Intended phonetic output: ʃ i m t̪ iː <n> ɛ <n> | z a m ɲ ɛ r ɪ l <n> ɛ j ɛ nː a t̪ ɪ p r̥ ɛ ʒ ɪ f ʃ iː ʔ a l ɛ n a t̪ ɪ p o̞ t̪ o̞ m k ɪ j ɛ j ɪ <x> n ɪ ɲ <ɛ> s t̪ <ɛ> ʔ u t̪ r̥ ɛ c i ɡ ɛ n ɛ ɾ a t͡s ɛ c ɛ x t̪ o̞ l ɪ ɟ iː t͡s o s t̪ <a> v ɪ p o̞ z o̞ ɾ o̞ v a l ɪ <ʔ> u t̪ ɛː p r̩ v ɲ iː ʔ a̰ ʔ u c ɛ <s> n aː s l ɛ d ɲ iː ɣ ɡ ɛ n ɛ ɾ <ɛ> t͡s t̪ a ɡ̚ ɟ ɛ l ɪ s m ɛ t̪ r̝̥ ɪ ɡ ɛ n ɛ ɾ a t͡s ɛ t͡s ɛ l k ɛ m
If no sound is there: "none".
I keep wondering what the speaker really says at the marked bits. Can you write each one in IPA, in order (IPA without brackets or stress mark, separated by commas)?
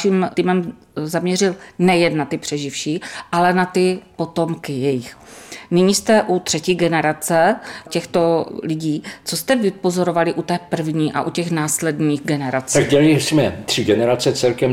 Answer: m, m, n, x, i, ɛ, ɛ, ʔ, x, a